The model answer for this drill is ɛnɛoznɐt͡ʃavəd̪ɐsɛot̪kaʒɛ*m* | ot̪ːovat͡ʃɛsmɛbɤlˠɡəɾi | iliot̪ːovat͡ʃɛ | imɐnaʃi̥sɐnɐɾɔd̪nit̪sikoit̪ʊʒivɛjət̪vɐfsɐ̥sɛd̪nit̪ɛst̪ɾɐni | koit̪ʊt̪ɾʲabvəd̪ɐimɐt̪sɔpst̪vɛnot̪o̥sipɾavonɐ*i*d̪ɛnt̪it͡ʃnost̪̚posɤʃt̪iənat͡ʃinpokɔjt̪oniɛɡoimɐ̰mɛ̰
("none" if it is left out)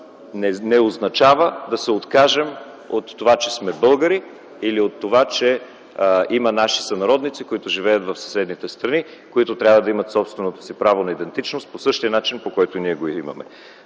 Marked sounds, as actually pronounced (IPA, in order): m, i

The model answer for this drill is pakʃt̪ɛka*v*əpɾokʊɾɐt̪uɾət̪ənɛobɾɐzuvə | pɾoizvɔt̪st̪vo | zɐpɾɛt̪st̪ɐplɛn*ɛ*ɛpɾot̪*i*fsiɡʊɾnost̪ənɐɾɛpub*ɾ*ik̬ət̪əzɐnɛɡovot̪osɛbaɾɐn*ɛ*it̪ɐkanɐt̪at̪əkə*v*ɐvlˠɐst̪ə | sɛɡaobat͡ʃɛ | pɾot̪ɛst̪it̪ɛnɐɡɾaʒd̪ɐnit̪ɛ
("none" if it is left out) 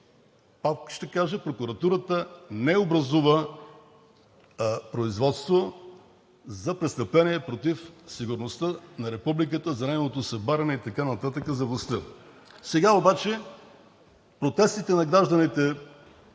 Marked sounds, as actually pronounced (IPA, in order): ʒ, i, i, l, ɛ, z

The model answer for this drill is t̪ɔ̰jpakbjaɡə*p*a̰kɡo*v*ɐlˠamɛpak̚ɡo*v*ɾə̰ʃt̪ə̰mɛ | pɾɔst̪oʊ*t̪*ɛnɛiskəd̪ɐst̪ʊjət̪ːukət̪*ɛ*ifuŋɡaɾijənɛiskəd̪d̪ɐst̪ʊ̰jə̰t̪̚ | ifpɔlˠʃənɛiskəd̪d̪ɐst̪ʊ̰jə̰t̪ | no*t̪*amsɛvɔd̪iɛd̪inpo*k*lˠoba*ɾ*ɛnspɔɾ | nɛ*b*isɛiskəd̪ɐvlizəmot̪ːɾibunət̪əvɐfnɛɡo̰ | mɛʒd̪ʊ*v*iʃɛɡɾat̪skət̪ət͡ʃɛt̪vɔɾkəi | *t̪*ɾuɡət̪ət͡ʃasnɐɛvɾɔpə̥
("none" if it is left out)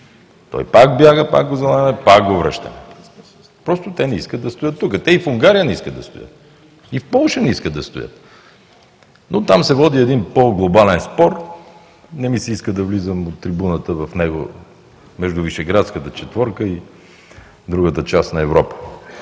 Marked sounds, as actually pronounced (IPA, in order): p, z, v, t̪, ɛ, t̪, ɡ, l, m, v, d̪

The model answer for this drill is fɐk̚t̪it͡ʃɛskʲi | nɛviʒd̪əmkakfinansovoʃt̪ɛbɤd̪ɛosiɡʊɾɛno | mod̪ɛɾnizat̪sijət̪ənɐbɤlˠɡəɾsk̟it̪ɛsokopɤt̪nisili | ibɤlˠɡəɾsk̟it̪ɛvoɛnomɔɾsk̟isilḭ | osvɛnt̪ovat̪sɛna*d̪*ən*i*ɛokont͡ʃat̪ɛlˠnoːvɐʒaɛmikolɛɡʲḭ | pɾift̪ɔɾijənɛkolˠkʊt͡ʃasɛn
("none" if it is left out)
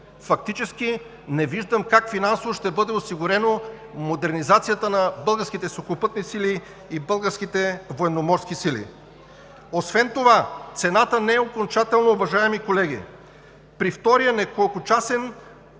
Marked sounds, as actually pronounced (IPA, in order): t̪, ɛ

